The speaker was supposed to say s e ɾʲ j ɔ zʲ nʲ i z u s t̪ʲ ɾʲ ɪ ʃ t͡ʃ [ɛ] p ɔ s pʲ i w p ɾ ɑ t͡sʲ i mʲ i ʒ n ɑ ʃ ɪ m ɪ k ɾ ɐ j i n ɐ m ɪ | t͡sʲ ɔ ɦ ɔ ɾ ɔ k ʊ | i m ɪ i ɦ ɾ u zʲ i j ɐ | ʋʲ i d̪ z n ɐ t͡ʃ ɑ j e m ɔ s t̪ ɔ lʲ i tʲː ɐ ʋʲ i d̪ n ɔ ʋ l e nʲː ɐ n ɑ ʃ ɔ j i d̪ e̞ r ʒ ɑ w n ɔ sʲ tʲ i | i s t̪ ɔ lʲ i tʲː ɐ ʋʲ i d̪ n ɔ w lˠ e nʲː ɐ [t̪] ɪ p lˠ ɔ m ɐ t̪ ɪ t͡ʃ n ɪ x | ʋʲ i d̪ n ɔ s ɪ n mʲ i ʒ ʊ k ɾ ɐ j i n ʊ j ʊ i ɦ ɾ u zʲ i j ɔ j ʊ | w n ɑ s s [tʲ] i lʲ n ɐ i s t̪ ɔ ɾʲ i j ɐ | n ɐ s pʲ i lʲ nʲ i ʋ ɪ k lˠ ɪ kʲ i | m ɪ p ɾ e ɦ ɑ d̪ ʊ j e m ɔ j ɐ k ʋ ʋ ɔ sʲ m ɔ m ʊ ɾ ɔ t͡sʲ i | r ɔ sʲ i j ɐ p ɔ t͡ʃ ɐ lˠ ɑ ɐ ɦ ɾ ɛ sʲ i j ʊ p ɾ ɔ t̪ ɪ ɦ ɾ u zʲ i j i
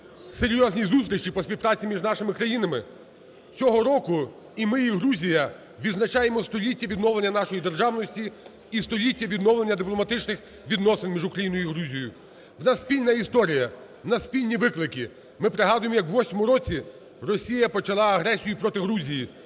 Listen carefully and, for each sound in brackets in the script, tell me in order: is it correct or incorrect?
incorrect: i, incorrect: d̪, incorrect: pʲ

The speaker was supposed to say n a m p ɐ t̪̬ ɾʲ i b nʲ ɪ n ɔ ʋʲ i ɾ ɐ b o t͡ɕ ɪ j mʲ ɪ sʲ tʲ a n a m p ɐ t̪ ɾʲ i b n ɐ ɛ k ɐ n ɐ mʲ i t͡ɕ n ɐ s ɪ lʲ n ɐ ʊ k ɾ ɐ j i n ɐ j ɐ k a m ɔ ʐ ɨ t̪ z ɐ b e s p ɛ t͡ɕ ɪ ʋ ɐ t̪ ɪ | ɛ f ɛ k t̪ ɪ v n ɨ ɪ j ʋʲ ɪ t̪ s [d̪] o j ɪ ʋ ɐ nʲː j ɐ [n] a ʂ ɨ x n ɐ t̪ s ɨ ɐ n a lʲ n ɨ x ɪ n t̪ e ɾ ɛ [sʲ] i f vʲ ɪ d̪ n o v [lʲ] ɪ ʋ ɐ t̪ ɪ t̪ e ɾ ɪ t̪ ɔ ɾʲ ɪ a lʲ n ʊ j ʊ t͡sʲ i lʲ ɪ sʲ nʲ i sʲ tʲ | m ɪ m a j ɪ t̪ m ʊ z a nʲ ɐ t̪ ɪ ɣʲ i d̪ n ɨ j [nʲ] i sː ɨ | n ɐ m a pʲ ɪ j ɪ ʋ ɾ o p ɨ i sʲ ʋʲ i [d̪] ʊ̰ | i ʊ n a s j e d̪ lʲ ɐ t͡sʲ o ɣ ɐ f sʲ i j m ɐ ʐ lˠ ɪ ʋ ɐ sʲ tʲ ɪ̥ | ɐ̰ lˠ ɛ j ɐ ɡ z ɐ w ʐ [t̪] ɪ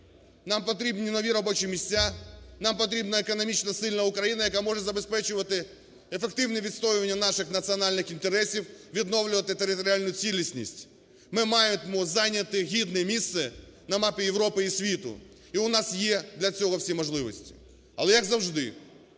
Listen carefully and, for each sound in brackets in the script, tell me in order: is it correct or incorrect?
incorrect: t̪, correct, correct, correct, incorrect: mʲ, incorrect: t̪, incorrect: d̪

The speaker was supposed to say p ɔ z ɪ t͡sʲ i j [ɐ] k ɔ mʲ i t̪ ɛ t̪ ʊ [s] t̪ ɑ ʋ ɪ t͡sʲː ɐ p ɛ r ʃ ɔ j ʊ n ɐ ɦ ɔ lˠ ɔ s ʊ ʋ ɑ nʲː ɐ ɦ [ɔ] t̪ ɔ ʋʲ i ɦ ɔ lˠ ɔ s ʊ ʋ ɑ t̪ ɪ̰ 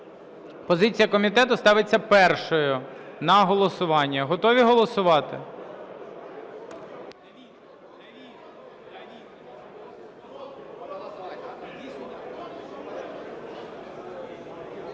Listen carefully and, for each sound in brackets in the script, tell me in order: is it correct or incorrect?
correct, correct, correct

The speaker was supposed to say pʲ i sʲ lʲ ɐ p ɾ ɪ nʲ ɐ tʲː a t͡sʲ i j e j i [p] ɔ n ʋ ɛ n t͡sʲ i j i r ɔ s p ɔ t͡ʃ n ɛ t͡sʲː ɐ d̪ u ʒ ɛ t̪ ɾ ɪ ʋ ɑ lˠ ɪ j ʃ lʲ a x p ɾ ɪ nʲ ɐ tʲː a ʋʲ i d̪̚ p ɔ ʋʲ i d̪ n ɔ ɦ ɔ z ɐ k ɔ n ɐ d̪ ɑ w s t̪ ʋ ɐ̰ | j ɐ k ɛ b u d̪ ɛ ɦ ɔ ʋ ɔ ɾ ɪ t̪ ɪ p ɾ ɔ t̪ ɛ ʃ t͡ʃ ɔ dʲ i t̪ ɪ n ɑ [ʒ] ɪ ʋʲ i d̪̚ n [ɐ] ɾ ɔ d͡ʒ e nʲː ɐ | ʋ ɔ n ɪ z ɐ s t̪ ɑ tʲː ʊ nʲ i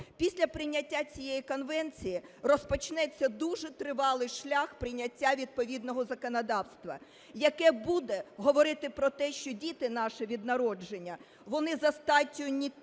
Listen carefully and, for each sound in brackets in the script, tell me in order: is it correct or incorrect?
incorrect: k, incorrect: ʃ, correct

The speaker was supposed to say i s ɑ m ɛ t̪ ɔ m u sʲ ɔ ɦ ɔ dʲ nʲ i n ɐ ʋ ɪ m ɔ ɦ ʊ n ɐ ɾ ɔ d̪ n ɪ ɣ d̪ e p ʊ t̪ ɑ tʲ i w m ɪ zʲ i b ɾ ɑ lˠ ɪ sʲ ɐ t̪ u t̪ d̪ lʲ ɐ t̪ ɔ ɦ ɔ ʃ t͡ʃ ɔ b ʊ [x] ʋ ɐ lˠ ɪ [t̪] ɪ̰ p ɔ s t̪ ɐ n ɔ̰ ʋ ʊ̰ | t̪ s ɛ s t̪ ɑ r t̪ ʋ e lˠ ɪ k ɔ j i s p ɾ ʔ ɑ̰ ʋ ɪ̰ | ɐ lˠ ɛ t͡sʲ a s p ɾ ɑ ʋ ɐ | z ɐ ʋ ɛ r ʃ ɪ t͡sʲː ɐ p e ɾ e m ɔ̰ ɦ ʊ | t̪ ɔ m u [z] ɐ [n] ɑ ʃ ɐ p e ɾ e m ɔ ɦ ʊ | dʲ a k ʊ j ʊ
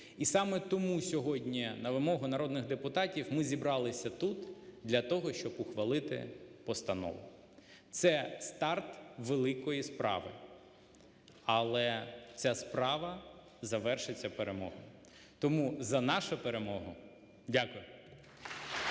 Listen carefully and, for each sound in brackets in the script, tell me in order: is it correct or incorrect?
correct, correct, correct, correct

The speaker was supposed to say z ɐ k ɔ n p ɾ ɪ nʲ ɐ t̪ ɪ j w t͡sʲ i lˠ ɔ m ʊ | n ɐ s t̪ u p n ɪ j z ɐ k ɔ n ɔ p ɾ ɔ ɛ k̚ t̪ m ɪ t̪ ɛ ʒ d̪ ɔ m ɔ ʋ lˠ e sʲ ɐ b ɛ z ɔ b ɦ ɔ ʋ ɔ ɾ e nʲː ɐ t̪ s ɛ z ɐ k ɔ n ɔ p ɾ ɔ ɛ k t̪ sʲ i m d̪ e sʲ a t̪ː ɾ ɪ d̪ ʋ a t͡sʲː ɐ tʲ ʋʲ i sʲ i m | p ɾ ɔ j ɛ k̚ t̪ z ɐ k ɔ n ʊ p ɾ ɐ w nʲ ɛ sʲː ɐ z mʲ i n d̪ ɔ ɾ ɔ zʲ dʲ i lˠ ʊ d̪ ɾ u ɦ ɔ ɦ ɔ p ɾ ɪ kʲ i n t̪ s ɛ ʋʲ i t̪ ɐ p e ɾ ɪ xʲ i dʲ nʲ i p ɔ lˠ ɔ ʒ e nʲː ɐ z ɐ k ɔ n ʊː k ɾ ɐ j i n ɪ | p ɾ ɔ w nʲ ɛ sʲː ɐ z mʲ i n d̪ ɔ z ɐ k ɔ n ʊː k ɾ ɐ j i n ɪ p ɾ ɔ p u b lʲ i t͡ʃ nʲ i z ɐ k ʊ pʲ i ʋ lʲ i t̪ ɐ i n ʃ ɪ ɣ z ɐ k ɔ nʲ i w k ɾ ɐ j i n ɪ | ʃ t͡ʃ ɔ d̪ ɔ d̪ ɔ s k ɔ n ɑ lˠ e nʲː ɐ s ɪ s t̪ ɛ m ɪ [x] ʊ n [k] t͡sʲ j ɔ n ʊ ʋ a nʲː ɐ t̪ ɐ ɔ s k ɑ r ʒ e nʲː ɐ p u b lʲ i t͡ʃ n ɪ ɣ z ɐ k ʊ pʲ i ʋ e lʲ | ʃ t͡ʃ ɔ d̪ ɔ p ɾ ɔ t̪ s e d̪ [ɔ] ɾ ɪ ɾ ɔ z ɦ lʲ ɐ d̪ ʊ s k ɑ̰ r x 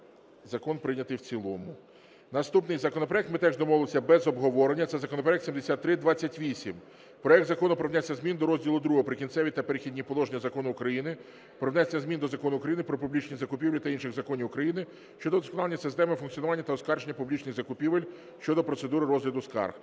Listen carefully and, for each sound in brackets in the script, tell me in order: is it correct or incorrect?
incorrect: f, correct, incorrect: u

